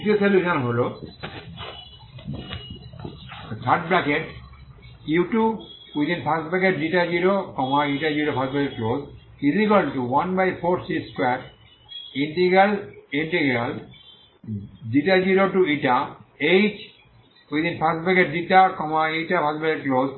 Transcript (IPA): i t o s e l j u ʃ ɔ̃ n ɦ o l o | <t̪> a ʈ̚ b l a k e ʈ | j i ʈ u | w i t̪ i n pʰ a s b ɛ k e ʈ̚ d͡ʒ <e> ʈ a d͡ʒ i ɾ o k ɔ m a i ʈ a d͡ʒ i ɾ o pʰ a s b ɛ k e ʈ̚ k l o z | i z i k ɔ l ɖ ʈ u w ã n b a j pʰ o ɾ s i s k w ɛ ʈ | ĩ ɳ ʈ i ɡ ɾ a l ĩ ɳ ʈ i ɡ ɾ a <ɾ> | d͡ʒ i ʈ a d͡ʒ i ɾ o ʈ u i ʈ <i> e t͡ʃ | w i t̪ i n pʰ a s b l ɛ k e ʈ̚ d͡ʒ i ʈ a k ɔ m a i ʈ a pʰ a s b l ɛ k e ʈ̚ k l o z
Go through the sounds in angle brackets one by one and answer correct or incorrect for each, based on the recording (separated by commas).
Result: incorrect, incorrect, incorrect, incorrect